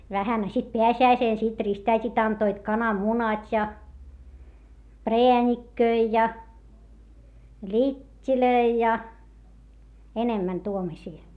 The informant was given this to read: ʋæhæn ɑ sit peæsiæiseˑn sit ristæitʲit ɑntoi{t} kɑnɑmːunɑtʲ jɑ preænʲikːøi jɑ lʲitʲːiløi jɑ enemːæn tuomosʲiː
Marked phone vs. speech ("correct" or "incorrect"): correct